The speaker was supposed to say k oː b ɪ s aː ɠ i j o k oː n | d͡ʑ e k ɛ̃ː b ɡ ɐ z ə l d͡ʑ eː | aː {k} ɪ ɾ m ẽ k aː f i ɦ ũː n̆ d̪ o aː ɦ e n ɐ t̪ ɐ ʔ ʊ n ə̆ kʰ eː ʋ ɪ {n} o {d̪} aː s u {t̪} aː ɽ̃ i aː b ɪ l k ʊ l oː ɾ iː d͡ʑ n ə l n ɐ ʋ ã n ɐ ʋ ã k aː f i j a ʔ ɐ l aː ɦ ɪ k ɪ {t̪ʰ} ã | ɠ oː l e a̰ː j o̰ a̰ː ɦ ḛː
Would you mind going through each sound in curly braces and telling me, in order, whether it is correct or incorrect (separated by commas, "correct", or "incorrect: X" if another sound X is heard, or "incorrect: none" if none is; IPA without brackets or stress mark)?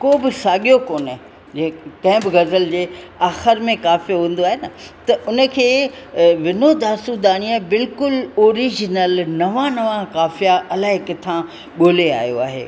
incorrect: x, correct, correct, incorrect: d̪, correct